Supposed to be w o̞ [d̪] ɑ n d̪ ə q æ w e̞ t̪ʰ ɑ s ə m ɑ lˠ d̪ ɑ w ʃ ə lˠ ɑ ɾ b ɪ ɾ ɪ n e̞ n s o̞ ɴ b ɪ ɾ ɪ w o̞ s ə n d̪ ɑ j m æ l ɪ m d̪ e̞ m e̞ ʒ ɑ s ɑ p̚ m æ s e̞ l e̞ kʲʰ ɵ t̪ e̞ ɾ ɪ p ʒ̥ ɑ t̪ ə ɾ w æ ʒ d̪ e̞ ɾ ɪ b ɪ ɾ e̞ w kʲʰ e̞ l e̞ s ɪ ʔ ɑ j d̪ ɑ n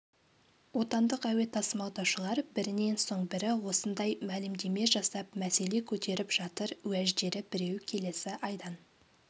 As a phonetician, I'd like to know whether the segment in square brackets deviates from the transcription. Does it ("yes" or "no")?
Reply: yes